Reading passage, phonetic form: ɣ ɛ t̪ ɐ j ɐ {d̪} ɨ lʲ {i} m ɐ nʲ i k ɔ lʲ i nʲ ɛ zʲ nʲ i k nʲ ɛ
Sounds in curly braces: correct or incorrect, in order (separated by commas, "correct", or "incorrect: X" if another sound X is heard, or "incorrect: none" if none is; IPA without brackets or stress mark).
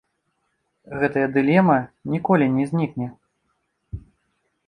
correct, incorrect: ɛ